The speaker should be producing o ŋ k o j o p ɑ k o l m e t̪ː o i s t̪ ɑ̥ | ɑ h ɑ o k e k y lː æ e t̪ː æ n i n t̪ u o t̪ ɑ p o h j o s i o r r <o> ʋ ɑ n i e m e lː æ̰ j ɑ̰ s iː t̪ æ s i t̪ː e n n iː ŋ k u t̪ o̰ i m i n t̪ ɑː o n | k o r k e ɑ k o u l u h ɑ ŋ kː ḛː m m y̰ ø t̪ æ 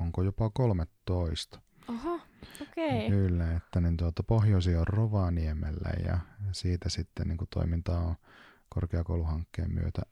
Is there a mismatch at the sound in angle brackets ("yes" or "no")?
no